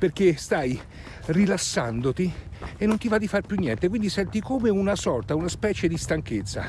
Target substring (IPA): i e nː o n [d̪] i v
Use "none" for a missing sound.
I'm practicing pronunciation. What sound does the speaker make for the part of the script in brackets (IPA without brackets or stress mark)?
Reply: t̪